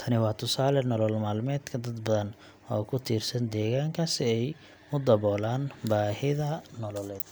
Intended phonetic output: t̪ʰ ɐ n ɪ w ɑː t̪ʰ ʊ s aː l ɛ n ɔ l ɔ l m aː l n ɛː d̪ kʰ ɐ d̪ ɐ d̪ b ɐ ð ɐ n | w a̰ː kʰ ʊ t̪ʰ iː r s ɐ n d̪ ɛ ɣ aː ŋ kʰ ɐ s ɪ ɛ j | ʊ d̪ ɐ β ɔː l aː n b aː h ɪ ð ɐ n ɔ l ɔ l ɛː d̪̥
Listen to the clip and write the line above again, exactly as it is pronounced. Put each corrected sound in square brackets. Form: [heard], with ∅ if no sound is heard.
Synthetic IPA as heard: t̪ʰ ɐ n ɪ w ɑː t̪ʰ ʊ s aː l ɛ n ɔ l ɔ l m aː l [m] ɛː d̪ kʰ ɐ d̪ ɐ d̪ b ɐ ð ɐ n | w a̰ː kʰ ʊ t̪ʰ iː r s ɐ n d̪ [ɛː] ɣ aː ŋ kʰ ɐ s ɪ ɛ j | ʊ d̪ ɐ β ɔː l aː n b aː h ɪ ð ɐ n ɔ l ɔ l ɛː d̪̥